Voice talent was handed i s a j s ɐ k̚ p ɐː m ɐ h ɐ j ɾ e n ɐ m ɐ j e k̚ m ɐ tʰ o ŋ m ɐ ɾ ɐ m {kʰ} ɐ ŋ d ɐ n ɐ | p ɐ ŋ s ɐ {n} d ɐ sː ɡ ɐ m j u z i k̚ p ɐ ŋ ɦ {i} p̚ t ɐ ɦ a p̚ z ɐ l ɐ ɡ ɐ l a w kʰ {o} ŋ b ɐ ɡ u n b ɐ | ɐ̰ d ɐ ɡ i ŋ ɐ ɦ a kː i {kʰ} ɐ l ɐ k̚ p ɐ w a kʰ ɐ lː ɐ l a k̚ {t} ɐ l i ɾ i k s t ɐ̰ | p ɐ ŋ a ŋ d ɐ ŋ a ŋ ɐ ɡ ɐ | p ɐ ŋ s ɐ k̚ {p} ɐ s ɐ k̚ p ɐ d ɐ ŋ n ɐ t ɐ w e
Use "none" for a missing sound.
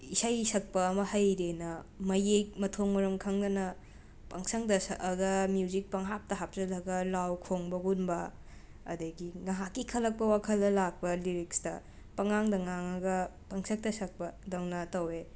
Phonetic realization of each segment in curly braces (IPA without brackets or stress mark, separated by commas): kʰ, ŋ, a, o, kʰ, p, t